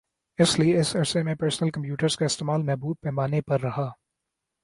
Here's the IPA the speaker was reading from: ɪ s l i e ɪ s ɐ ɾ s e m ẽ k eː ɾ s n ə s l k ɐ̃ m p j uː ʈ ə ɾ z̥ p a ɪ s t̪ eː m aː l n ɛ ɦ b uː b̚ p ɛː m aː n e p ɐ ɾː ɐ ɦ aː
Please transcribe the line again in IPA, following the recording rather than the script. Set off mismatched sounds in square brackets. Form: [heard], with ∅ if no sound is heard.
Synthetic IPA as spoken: ɪ s l i e ɪ s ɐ ɾ s e m ẽ [p] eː ɾ s n ə [∅] l k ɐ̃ m p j uː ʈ ə ɾ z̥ [k] a ɪ s t̪ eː m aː l [m] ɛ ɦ b uː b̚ p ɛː m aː n e p ɐ ɾː ɐ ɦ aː